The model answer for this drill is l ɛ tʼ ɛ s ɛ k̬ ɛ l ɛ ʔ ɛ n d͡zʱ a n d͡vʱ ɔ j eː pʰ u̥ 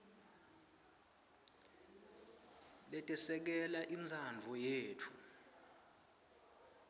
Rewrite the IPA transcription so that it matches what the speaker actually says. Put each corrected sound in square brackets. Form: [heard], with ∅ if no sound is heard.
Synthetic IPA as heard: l ɛ tʼ ɛ s ɛ k̬ ɛ l [a] ʔ [i] n d͡zʱ a n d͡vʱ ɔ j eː [tʰ] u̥